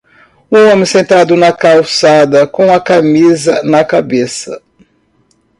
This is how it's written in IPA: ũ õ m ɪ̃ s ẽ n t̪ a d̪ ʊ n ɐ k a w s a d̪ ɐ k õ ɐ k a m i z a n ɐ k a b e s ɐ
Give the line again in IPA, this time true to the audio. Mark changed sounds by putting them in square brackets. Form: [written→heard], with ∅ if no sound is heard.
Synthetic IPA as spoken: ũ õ m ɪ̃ s ẽ n t̪ a d̪ ʊ n ɐ k a w s a d̪ ɐ k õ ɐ k a m i z [a→ɐ] n ɐ k a b e s ɐ